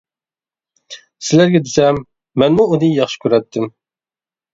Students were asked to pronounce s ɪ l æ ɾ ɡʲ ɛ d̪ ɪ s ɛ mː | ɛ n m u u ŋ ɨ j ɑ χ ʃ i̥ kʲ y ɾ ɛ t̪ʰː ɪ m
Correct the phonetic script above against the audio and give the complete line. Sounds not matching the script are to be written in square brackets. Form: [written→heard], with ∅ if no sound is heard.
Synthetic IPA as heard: s ɪ l æ ɾ ɡʲ ɛ d̪ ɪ s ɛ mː | ɛ n m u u [ŋ→n] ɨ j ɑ χ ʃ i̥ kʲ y ɾ ɛ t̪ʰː ɪ m